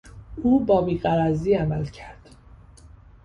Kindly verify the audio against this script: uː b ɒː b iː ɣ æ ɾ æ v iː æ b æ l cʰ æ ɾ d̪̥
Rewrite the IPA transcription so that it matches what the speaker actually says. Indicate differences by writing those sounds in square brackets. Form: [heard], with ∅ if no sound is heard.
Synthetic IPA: uː b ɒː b iː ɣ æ ɾ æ [z] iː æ [m] æ l cʰ æ ɾ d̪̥